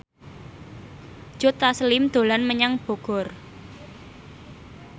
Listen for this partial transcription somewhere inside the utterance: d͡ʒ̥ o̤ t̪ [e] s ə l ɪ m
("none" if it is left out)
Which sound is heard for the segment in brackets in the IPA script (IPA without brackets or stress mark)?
a